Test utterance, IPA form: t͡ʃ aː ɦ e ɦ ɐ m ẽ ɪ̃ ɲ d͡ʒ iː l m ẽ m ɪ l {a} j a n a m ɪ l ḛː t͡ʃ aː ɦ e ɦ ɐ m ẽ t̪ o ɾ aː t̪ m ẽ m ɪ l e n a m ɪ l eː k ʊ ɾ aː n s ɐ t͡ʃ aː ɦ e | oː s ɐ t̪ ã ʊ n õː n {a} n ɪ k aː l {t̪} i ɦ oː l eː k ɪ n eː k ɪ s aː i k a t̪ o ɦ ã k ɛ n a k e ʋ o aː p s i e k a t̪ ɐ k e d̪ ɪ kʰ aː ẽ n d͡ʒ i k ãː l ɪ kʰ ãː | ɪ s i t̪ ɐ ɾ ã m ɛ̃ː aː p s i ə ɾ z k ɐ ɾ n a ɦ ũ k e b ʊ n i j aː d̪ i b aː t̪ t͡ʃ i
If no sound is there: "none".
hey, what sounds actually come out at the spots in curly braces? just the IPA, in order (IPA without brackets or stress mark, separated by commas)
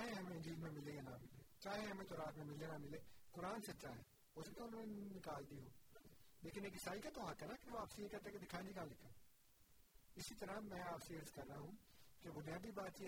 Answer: e, e, d̪